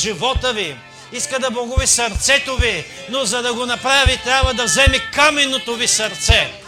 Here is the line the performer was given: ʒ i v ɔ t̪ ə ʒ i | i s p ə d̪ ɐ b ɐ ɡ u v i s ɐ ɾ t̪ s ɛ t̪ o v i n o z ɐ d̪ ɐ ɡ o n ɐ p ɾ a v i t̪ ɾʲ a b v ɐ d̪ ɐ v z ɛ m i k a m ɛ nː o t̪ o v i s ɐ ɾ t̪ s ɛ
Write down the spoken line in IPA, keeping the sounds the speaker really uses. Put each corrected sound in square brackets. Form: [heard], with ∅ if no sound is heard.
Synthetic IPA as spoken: ʒ i v ɔ t̪ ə [v] i | i s [k] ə d̪ ɐ b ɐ ɡ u v i s ɐ ɾ t̪ s ɛ t̪ o v i n o z ɐ d̪ ɐ ɡ o n ɐ p ɾ a v i t̪ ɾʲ a b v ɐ d̪ ɐ v z ɛ m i k a m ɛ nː o t̪ o v i s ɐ ɾ t̪ s ɛ